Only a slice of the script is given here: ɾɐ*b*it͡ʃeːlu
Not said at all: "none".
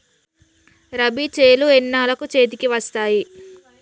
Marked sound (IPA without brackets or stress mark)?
b